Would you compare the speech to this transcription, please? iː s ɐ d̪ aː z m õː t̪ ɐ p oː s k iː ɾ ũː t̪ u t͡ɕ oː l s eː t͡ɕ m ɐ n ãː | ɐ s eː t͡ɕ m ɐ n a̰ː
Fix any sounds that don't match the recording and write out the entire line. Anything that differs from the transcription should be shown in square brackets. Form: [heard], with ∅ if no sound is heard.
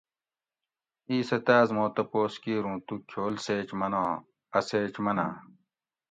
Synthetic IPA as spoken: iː s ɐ [t̪] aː z m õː t̪ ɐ p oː s k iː ɾ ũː t̪ u [t͡ɕʰ] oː l s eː t͡ɕ m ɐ n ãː | ɐ s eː t͡ɕ m ɐ n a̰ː